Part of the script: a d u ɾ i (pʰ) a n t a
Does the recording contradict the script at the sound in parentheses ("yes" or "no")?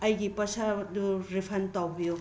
no